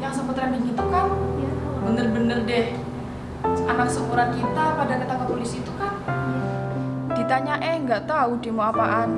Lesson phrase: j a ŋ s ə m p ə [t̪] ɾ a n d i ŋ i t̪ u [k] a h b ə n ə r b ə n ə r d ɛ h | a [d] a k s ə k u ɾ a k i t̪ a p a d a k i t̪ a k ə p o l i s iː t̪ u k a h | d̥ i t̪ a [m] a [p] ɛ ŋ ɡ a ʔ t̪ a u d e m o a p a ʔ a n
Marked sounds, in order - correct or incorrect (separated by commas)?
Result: correct, correct, incorrect, incorrect, incorrect